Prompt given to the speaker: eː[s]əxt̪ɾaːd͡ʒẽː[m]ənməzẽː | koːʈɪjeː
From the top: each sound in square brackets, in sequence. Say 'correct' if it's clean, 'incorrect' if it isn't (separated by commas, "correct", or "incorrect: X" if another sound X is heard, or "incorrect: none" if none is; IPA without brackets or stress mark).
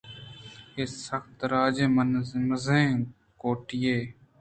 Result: correct, correct